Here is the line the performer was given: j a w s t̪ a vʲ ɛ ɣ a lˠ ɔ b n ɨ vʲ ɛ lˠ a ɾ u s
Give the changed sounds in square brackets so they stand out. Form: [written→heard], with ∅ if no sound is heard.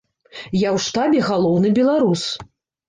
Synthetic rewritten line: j a w [s→ʂ] t̪ a [vʲ→bʲ] ɛ ɣ a lˠ ɔ [b→w] n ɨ [vʲ→bʲ] ɛ lˠ a ɾ u s